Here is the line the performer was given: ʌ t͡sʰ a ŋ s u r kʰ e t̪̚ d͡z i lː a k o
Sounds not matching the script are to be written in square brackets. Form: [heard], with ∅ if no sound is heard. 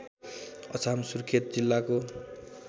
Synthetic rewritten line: ʌ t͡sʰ a [m] s u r kʰ e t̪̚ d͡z i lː a k o